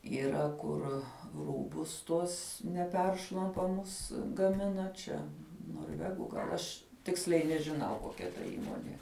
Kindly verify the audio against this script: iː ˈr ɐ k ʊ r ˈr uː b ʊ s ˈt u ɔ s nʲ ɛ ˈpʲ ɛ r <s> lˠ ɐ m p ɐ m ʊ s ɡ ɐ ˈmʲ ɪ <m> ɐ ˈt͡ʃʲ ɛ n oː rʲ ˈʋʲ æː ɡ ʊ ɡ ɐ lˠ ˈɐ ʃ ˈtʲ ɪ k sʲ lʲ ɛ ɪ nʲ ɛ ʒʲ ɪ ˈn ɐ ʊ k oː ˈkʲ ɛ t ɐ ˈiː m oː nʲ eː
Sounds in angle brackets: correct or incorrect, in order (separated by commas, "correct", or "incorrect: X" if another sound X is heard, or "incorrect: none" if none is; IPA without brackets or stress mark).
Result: incorrect: ʃ, incorrect: n